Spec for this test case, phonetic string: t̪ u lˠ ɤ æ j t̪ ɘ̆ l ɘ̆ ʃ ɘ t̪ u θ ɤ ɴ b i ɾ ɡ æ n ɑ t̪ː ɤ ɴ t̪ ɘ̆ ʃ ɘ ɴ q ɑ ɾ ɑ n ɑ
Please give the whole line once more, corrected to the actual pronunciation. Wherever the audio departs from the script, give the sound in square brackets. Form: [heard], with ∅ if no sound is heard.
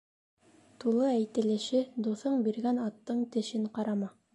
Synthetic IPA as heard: t̪ u lˠ ɤ æ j t̪ ɘ̆ l ɘ̆ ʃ ɘ [d̪] u θ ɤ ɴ b i ɾ ɡ æ n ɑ t̪ː ɤ ɴ t̪ ɘ̆ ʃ ɘ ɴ q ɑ ɾ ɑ [m] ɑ

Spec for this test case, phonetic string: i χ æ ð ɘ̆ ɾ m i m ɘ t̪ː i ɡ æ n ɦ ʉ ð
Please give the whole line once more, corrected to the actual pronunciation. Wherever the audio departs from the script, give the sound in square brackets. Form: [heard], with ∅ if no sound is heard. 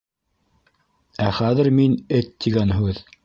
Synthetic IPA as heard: [æ] χ æ ð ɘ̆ ɾ m i [n] ɘ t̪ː i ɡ æ n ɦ ʉ ð

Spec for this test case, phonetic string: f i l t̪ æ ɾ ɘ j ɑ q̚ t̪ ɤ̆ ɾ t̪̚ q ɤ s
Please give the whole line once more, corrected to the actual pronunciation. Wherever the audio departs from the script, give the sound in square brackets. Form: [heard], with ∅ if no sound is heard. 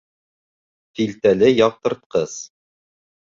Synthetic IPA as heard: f i l t̪ æ [l] ɘ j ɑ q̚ t̪ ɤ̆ ɾ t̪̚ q ɤ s

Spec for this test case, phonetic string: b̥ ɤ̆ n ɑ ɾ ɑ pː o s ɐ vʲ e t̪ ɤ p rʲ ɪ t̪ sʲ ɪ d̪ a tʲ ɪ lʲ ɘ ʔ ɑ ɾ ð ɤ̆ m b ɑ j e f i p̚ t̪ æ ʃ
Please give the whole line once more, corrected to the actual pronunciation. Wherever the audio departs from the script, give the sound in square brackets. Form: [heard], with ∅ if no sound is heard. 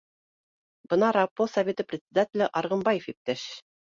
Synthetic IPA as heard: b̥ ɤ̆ n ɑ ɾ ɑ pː o s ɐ vʲ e t̪ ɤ p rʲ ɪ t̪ sʲ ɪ d̪ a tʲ ɪ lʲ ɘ ʔ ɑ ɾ [ʁ] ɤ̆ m b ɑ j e f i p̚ t̪ æ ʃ

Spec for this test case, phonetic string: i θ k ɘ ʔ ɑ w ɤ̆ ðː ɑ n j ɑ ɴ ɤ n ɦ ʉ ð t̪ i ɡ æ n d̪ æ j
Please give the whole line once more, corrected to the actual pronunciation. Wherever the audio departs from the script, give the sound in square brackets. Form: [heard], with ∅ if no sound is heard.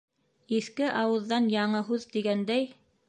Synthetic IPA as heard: i θ k ɘ ʔ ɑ w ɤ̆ ðː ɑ n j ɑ ɴ ɤ [∅] ɦ ʉ ð t̪ i ɡ æ n d̪ æ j

